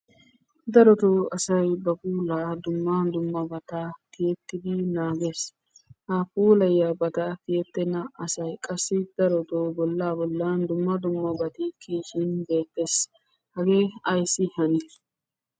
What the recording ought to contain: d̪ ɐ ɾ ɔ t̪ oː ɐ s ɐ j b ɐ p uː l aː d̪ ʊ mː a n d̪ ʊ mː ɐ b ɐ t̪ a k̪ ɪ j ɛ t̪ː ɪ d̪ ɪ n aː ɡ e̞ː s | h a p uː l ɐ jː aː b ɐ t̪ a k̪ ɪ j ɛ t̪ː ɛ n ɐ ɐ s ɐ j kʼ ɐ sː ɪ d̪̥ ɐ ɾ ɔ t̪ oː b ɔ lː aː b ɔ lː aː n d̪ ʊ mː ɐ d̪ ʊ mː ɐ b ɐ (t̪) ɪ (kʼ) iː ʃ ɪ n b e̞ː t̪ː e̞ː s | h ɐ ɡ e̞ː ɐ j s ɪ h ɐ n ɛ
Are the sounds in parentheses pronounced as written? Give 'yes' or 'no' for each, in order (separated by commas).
yes, no